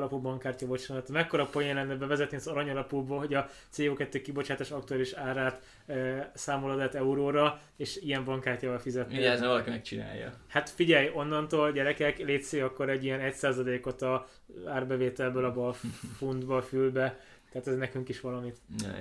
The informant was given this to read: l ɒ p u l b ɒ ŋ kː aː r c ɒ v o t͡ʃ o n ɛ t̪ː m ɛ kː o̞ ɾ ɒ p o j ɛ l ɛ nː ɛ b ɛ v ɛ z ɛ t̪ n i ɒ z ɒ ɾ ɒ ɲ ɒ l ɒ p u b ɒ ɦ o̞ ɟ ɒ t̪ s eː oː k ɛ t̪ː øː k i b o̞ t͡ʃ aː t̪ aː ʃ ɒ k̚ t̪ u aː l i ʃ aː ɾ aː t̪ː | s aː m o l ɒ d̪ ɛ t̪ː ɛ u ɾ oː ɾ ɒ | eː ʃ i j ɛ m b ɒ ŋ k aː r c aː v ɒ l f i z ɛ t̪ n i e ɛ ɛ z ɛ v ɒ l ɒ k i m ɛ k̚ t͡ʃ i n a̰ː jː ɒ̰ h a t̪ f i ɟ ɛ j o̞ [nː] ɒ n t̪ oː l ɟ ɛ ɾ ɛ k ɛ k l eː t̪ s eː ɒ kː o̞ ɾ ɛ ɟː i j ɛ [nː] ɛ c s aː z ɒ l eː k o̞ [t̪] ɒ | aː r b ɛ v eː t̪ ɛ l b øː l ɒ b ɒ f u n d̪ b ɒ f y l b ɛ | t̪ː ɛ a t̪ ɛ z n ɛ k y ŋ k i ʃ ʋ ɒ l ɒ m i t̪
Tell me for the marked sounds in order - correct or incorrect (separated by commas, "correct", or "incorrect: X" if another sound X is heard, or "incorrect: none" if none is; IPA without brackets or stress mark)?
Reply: correct, incorrect: n, correct